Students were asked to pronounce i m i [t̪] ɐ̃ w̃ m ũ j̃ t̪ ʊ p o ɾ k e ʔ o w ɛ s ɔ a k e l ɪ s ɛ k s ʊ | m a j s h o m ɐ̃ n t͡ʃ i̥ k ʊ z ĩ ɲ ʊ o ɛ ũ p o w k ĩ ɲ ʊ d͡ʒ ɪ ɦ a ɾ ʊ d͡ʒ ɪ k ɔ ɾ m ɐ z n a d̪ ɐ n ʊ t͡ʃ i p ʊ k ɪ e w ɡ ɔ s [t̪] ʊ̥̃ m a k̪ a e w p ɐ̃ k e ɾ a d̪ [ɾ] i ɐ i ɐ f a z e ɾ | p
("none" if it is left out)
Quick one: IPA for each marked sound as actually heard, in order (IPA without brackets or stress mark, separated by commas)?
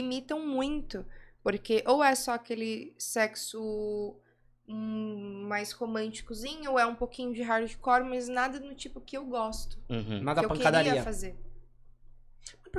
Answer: t̪, t̪, ɾ